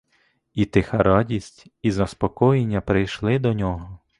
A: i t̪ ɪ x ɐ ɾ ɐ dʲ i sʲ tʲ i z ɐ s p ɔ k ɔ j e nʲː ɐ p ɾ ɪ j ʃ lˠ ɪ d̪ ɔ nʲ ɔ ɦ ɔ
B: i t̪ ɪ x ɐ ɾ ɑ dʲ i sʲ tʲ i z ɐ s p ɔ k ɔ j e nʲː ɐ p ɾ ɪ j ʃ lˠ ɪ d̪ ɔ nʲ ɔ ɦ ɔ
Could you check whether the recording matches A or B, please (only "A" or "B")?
B